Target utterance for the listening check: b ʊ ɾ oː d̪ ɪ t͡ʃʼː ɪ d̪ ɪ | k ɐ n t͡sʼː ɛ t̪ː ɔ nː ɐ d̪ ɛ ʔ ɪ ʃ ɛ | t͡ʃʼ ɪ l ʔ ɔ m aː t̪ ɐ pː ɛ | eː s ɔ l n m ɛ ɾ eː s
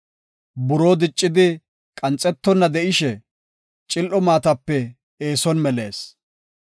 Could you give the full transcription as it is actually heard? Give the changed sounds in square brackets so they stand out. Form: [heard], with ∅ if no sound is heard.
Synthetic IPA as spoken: b ʊ ɾ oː d̪ ɪ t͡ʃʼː ɪ d̪ ɪ | [kʼ] ɐ n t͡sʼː ɛ t̪ː ɔ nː ɐ d̪ ɛ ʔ ɪ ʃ ɛ | t͡ʃʼ ɪ l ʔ ɔ m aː t̪ ɐ pː ɛ | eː s ɔ [∅] n m ɛ [l] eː s